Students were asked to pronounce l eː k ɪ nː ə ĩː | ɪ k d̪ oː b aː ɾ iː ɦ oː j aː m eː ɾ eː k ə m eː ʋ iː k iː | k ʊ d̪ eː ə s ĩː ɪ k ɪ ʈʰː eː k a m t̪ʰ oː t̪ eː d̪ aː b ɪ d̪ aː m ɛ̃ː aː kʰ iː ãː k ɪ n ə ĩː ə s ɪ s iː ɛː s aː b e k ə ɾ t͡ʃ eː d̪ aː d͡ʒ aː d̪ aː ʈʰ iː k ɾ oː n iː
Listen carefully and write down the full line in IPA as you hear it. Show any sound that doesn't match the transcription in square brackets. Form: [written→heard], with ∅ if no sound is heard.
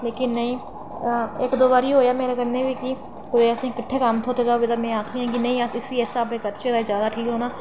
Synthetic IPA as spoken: l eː k ɪ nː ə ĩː | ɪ k d̪ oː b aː ɾ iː ɦ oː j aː m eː ɾ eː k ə [m→n] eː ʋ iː k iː | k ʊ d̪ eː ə s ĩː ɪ k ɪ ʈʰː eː k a m t̪ʰ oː t̪ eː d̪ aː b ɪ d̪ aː m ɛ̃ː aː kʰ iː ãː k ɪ n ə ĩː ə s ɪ s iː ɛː s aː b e k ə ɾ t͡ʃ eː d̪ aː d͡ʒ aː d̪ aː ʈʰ iː k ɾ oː n [iː→aː]

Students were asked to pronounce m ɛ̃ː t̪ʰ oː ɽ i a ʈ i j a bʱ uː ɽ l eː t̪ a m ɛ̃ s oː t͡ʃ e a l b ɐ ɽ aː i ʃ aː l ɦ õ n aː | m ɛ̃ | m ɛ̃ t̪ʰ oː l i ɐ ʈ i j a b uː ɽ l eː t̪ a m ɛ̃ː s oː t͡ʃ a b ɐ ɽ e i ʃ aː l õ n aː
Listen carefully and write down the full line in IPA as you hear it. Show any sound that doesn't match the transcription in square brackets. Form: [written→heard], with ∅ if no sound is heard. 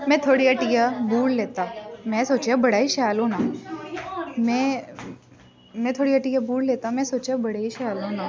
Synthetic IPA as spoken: m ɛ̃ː t̪ʰ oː ɽ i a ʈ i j a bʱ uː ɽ l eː t̪ a m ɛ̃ s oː t͡ʃ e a [l→∅] b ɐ ɽ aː i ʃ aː l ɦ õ n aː | m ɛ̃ | m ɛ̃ t̪ʰ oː [l→ɽ] i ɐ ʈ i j a b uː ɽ l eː t̪ a m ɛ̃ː s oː t͡ʃ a b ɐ ɽ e i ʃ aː l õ n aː

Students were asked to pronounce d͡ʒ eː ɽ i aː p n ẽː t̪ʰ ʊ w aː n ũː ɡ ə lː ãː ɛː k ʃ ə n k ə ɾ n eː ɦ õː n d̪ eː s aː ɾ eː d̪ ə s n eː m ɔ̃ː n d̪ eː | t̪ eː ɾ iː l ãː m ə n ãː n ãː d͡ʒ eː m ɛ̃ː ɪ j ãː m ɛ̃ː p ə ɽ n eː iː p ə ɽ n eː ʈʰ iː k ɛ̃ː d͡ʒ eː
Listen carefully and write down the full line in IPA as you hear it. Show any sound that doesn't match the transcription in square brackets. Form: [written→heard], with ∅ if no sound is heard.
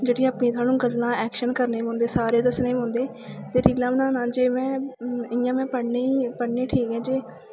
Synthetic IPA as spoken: d͡ʒ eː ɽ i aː p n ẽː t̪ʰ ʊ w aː n ũː ɡ ə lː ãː ɛː k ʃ ə n k ə ɾ n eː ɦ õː n d̪ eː s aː ɾ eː d̪ ə s n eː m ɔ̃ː n d̪ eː | t̪ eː ɾ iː l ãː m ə n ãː n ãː d͡ʒ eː m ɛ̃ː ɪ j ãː m ɛ̃ː p ə ɽ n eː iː p ə ɽ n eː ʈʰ iː k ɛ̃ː d͡ʒ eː

